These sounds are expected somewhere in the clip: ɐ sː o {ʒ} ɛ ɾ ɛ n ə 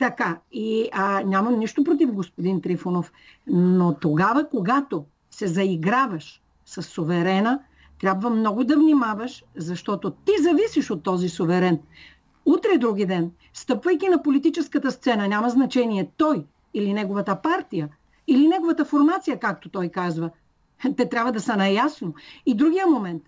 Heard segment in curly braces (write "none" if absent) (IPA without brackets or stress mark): v